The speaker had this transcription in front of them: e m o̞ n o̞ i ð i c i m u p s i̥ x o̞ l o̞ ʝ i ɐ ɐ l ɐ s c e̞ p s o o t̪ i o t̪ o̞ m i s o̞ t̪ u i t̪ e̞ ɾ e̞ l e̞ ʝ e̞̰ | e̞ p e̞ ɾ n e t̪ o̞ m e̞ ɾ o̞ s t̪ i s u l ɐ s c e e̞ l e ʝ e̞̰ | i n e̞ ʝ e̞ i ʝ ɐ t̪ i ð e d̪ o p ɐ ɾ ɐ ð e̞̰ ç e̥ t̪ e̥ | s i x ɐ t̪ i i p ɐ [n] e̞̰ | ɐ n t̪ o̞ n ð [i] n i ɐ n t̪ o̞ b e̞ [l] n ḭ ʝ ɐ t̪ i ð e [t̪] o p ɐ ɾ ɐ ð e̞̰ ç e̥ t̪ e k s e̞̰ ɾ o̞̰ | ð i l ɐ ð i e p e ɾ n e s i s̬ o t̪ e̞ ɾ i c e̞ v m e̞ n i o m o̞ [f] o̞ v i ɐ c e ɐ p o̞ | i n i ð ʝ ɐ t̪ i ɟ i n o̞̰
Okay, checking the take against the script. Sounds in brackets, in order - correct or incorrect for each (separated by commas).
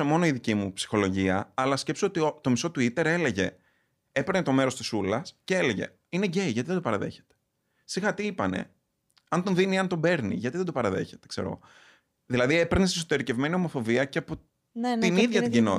correct, correct, incorrect, incorrect, correct